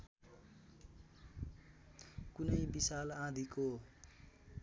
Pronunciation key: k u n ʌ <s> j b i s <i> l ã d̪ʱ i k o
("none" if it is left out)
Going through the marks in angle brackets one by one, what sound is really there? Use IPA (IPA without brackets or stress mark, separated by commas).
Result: none, a